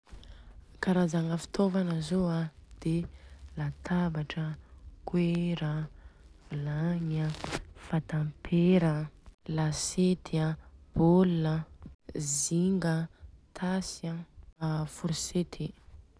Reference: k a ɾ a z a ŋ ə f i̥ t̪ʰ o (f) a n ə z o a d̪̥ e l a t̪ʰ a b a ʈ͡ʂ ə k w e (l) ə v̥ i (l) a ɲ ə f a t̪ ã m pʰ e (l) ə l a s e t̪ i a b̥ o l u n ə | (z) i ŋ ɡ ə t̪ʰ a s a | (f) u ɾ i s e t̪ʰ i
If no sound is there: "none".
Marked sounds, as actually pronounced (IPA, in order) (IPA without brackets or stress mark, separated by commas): v, ɾ, l, ɾ, z, f